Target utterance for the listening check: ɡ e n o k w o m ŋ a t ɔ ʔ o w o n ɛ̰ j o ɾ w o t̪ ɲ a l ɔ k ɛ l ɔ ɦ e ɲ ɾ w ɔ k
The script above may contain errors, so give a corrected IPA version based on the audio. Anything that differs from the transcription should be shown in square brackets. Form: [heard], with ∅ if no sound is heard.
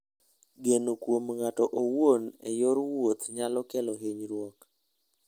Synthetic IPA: ɡ e n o k w o m ŋ a t ɔ ʔ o w o n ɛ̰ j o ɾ w o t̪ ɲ a l ɔ k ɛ l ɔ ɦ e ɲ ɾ w ɔ k